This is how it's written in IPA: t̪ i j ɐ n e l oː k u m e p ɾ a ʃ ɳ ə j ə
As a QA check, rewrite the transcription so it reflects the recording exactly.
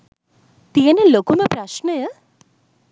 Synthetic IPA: t̪ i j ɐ n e l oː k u m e p ɾ a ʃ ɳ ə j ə